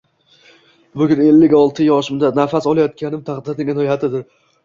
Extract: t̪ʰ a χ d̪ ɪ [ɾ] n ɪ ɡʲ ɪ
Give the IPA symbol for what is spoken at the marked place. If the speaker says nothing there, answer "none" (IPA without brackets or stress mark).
ɾ